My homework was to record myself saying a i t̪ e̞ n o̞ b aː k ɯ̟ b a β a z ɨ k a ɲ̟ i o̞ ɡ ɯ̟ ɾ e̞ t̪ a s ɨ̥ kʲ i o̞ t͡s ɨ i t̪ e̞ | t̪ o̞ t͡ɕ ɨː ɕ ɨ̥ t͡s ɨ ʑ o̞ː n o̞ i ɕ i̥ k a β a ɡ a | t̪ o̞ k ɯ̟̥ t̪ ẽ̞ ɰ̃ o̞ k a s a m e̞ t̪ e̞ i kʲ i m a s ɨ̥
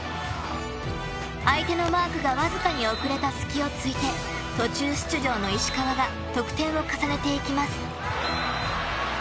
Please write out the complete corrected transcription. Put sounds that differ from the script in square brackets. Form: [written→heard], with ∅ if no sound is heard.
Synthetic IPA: a i t̪ e̞ n o̞ [b→m] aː k ɯ̟ [b→ɡ] a β a z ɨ k a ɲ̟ i o̞ [ɡ→k] ɯ̟ ɾ e̞ t̪ a s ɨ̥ kʲ i o̞ t͡s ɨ i t̪ e̞ | t̪ o̞ t͡ɕ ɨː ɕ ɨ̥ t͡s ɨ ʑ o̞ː n o̞ i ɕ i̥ k a β a ɡ a | t̪ o̞ k ɯ̟̥ t̪ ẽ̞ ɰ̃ o̞ k a s a [m→n] e̞ t̪ e̞ i kʲ i m a s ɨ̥